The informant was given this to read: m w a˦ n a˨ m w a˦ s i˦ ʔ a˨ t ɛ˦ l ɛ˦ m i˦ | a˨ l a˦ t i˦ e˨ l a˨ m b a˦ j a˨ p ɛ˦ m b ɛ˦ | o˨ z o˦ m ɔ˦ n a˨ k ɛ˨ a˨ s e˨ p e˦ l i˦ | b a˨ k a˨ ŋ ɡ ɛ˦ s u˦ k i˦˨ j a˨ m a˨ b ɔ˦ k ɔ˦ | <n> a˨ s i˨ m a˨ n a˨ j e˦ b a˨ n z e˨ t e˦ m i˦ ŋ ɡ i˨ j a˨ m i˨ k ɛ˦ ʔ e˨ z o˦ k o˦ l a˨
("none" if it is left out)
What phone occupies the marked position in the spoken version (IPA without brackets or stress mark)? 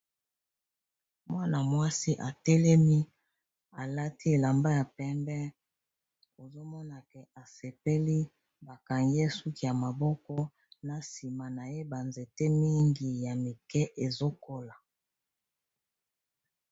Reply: n